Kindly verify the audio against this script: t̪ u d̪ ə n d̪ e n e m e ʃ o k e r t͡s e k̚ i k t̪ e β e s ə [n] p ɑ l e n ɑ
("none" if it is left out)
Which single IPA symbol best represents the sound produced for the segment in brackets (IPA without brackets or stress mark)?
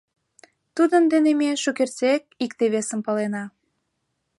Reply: m